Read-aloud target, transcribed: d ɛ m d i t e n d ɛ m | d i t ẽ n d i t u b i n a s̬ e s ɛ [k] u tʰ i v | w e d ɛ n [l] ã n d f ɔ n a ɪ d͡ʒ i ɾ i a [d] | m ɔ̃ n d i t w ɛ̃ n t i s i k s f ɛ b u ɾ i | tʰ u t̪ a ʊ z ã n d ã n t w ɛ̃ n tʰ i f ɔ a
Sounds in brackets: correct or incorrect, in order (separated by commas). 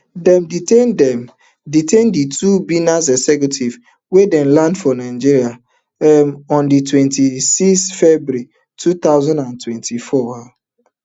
correct, correct, incorrect